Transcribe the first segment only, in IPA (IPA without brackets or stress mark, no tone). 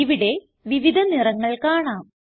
i